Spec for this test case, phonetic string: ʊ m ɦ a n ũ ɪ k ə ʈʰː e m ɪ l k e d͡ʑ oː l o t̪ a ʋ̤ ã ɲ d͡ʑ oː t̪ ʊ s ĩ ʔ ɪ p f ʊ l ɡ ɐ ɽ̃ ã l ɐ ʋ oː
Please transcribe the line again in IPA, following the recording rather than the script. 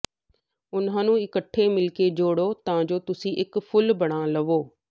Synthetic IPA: ʊ n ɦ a n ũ ɪ k ə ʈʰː e m ɪ l k e d͡ʑ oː ɽ o t̪ ɐ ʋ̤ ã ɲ d͡ʑ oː t̪ ʊ s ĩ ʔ ɪ k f ʊ l b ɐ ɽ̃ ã l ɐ ʋ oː